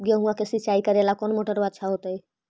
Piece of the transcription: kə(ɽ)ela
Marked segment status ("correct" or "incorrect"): incorrect